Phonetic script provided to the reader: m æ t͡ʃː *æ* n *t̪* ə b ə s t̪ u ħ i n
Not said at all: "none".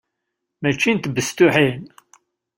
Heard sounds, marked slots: i, t̪

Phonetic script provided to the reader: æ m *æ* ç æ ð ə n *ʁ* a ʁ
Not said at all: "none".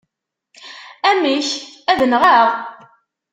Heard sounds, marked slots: i, ʁ

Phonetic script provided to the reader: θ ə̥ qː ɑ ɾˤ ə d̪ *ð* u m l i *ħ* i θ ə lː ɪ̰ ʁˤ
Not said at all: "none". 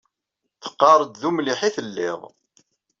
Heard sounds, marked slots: ð, ħ

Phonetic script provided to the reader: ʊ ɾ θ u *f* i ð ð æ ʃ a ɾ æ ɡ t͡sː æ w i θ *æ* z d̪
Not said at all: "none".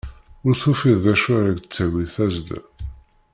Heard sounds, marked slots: f, æ

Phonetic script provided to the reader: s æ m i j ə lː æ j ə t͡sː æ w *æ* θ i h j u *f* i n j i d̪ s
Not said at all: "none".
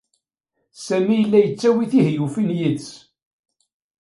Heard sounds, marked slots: i, f

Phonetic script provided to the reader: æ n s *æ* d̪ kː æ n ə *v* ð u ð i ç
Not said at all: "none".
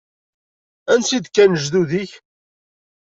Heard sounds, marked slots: i, ʒ

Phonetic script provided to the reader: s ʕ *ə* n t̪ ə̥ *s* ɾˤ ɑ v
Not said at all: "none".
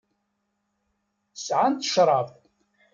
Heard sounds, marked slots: a, ʃ

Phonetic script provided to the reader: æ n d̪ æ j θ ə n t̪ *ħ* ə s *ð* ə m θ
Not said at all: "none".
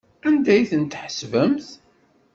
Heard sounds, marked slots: ħ, v

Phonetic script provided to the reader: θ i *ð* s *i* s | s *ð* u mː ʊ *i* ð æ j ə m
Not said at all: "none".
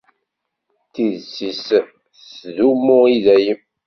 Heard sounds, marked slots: ð, i, ð, i

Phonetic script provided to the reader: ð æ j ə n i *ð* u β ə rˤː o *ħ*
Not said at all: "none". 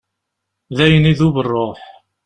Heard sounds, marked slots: ð, ħ

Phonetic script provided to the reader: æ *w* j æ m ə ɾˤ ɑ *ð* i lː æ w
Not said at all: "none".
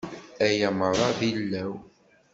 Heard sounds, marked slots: none, ð

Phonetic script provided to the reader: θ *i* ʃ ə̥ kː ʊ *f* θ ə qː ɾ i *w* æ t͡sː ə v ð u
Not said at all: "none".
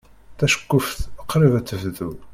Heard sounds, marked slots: æ, f, v

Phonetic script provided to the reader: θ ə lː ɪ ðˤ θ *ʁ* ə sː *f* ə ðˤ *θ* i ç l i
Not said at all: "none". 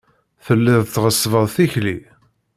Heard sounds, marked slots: ʁ, v, θ

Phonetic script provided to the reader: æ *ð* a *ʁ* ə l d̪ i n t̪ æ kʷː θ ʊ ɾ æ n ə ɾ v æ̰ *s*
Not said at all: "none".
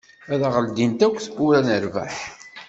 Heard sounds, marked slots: ð, ʁ, ħ

